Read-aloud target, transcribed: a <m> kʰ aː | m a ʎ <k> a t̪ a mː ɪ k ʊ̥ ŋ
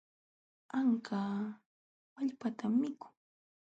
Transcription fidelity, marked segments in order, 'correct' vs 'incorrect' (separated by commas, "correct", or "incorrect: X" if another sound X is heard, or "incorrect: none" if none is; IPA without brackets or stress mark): incorrect: ŋ, incorrect: p